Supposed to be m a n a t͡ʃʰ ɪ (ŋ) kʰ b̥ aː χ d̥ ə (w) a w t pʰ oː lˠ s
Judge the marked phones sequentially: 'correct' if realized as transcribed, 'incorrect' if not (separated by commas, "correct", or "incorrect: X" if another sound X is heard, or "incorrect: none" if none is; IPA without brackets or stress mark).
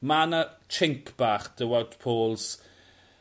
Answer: correct, correct